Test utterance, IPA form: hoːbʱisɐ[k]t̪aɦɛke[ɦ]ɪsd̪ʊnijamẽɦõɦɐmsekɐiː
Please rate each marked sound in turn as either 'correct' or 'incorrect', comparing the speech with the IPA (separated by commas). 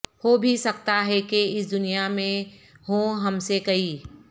correct, incorrect